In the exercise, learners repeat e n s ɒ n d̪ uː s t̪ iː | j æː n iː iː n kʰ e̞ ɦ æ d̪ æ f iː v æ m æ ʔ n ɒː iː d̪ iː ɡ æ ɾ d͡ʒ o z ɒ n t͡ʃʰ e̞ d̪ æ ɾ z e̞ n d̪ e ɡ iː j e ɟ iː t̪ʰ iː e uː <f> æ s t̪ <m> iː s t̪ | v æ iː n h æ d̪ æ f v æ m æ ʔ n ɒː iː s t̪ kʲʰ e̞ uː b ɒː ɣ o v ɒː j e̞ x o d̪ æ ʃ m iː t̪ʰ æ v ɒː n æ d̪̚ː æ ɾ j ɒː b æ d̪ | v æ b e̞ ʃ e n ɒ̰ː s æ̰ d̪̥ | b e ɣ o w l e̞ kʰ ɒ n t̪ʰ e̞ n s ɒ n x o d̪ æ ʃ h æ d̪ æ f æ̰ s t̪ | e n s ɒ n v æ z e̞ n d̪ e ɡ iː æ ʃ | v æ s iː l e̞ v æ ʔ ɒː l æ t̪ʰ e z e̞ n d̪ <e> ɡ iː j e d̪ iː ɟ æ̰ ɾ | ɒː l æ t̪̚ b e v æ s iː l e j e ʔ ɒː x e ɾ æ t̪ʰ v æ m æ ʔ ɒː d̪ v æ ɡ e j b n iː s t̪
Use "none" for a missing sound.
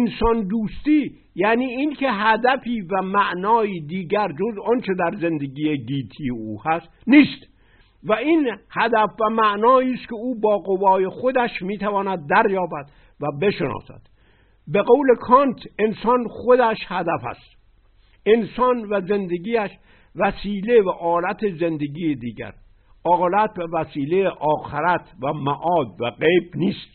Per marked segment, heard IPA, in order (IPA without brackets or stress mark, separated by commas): h, n, e